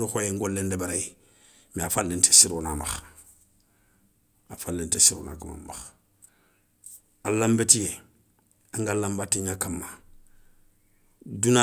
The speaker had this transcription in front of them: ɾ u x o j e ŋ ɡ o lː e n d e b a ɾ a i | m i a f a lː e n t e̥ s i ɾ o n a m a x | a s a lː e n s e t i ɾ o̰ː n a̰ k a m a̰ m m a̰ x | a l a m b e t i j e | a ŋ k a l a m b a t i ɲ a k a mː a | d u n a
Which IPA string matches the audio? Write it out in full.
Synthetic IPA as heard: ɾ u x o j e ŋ ɡ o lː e n d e b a ɾ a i | m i a f a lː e n t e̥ s i ɾ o n a m a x | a f a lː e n t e s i ɾ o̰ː n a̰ k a m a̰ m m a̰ x | a l a m b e t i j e | a ŋ ɡ a l a m b a t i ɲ a k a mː a | d u n a